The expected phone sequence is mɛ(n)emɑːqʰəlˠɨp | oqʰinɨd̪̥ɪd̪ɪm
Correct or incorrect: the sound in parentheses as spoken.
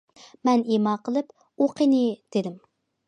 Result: correct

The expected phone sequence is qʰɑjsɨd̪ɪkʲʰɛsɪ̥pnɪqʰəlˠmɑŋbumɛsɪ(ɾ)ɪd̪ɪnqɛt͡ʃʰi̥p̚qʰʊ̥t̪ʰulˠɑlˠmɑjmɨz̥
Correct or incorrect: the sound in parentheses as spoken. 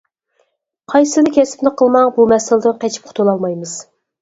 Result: incorrect: l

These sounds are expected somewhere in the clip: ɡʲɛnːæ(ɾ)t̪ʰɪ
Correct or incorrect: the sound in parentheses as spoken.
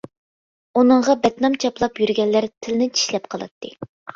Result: correct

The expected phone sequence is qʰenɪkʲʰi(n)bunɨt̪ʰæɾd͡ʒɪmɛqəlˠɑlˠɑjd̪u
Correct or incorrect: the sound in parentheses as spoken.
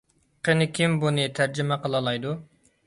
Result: incorrect: m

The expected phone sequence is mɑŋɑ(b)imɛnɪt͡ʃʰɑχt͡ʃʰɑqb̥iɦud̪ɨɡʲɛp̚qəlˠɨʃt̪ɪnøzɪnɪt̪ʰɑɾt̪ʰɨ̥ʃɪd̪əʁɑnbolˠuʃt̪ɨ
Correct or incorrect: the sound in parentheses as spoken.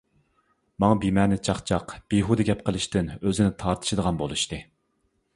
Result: correct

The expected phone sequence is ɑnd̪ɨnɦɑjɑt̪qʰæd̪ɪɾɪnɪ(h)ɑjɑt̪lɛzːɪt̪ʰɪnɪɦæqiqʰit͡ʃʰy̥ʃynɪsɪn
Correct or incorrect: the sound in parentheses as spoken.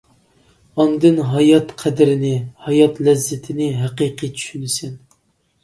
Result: correct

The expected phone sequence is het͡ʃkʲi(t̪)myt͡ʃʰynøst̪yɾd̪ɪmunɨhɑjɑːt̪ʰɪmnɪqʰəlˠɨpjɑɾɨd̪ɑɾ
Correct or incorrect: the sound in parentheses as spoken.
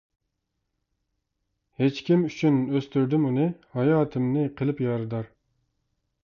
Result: incorrect: none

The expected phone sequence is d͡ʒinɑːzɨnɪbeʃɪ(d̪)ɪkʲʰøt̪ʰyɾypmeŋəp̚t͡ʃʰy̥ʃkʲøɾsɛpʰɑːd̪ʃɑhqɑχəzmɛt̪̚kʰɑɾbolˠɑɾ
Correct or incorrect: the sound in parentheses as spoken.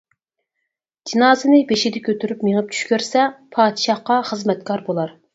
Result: correct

